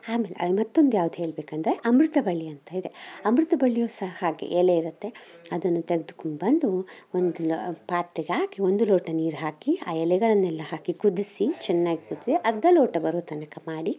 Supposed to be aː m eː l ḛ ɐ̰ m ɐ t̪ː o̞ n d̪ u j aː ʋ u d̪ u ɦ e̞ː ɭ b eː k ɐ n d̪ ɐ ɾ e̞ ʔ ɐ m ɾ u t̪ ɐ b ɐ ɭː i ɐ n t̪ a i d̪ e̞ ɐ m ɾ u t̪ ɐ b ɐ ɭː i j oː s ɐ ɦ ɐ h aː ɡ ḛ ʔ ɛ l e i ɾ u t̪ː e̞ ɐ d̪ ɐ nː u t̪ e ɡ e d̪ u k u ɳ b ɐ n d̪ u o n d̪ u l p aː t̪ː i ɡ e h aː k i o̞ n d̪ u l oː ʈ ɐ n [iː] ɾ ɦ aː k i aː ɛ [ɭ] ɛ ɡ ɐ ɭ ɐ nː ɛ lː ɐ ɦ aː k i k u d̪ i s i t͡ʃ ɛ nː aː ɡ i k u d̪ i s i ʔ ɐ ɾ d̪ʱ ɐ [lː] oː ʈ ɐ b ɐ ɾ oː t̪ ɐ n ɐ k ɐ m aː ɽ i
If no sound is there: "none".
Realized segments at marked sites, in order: iː, l, l

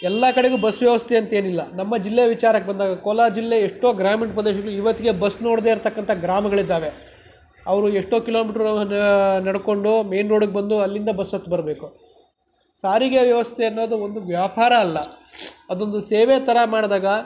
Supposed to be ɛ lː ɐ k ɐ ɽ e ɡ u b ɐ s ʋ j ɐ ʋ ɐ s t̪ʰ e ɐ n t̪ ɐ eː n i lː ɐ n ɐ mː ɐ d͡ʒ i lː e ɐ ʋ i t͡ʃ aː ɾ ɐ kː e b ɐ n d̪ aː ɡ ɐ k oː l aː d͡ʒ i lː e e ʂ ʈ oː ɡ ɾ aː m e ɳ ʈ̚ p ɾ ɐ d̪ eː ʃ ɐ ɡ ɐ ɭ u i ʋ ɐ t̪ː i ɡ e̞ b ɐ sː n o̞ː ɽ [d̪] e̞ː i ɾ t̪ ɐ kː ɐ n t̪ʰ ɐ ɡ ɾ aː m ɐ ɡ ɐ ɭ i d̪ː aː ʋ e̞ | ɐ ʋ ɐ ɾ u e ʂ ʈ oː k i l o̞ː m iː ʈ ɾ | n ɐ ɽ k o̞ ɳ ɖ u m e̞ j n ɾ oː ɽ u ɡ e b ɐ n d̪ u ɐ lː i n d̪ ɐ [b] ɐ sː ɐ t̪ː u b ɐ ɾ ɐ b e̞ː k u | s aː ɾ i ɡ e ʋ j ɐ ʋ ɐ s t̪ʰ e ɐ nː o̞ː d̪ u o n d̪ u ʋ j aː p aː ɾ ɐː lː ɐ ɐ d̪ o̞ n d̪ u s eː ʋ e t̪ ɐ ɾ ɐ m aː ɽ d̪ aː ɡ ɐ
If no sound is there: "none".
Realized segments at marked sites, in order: d̪, b

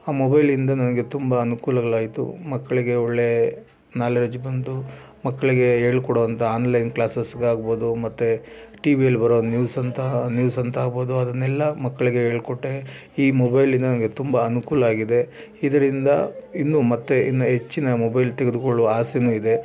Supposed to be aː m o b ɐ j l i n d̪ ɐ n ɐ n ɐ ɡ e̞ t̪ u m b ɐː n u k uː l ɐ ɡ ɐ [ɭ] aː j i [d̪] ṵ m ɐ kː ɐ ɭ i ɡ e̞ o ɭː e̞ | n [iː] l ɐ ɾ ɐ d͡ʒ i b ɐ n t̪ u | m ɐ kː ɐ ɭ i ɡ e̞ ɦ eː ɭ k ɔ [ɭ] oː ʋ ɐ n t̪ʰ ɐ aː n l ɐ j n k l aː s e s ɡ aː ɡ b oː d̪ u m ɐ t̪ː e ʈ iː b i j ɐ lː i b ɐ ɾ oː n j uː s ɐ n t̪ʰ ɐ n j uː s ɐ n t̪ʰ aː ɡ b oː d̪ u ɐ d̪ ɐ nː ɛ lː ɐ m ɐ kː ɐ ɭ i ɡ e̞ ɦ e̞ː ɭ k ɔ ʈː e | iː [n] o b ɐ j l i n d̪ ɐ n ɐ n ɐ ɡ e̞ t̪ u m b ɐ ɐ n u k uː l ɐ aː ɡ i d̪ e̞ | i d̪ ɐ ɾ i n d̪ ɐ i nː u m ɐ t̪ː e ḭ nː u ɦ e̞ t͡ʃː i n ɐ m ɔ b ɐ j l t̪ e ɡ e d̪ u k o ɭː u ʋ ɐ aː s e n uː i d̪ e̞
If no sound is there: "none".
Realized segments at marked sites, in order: ɭ, t̪, aː, ɽ, m

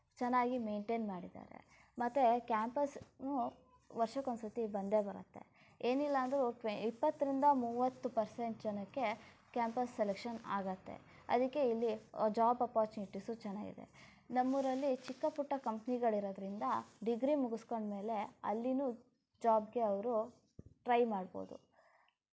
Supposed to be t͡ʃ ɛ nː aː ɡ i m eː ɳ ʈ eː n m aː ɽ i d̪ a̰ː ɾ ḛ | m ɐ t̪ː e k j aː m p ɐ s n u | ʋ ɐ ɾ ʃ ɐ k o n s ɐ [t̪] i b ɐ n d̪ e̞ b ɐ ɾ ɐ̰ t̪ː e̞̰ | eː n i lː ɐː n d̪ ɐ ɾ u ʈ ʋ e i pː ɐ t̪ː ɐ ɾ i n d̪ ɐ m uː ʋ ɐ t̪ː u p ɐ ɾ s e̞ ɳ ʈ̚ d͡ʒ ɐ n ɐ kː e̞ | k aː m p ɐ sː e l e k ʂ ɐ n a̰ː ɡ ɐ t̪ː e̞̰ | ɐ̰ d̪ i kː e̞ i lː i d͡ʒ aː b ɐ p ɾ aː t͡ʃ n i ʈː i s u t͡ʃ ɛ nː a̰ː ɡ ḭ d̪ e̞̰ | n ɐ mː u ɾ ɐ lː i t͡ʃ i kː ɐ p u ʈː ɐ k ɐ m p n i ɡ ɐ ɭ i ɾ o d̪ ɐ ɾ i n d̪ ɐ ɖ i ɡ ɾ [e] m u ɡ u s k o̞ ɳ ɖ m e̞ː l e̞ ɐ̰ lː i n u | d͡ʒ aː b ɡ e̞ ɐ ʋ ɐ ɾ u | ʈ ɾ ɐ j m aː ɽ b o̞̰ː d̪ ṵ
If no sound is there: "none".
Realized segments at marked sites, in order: t̪, i

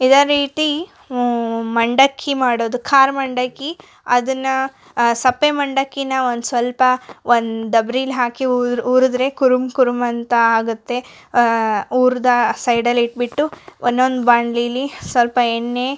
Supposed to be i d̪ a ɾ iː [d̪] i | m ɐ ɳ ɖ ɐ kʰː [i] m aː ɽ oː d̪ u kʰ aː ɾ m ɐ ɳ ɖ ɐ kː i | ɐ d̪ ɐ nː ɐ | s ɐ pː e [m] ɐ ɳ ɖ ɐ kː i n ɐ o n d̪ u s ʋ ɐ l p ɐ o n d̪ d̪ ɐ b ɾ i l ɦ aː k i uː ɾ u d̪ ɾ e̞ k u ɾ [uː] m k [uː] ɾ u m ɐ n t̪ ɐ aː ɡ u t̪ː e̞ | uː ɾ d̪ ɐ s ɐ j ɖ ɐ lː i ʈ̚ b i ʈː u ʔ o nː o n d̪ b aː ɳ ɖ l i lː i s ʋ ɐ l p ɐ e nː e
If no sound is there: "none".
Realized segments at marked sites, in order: t̪, i, m, u, u

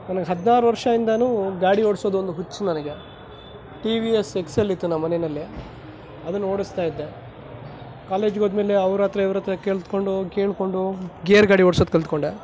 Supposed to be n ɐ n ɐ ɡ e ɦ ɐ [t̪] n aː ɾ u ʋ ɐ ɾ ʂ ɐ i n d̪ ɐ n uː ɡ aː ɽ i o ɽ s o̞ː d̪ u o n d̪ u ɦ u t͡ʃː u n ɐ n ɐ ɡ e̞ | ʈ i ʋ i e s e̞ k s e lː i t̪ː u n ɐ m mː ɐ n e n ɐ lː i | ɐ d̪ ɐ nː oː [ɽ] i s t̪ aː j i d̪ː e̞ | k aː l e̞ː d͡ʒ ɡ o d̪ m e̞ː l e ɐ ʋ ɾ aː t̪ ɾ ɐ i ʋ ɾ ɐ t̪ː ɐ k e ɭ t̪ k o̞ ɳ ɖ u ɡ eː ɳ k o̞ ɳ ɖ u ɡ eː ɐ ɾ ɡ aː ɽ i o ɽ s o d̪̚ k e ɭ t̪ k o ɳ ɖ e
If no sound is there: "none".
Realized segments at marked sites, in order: d̪, ɽ

